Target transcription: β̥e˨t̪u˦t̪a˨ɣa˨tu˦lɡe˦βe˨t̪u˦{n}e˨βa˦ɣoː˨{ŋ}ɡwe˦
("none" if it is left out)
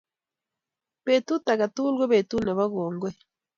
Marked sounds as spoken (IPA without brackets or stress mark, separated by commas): n, ŋ